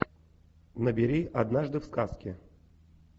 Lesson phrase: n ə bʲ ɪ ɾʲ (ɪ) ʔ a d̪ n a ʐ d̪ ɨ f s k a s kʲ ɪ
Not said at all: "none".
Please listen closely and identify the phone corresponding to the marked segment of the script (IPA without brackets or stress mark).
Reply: i